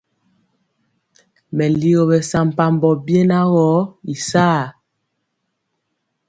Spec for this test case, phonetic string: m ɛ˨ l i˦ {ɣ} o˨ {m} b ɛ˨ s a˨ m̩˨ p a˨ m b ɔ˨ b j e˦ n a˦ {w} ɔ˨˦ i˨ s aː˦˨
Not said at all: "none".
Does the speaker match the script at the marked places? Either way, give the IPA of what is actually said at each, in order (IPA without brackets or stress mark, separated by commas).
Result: ɣ, none, ɣ